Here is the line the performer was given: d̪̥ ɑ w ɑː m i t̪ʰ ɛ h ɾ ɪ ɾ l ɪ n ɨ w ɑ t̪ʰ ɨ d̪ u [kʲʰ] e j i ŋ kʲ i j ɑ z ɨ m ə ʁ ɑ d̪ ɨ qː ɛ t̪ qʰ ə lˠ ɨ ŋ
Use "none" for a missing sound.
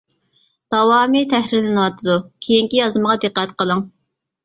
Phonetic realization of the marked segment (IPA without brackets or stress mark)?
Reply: kʲʰ